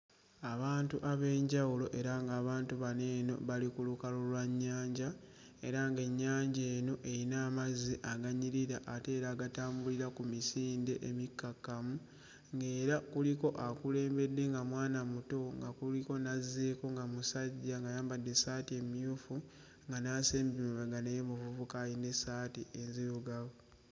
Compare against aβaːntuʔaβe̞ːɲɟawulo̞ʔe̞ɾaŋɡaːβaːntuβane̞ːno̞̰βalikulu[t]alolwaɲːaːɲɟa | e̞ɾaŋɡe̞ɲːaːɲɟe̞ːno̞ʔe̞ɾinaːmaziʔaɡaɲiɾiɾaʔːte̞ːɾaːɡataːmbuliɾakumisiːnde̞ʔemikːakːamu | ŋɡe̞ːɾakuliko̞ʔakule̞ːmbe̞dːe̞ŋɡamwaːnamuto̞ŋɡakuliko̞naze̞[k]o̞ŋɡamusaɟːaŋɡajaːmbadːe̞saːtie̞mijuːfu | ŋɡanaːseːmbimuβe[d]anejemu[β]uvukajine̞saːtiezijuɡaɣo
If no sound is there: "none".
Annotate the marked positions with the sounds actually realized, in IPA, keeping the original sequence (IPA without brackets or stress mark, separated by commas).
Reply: k, k, ɡ, v